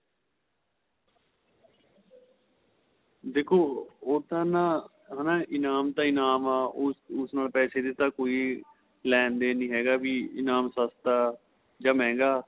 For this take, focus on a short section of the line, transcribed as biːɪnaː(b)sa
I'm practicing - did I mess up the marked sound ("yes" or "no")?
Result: yes